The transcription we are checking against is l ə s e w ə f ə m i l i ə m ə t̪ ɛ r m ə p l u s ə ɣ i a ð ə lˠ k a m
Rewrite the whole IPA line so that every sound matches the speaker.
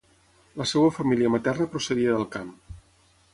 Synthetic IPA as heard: l ə s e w ə f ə m i l i ə m ə t̪ ɛ r n ə p ɾ u s ə ð i ə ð ə lˠ k a m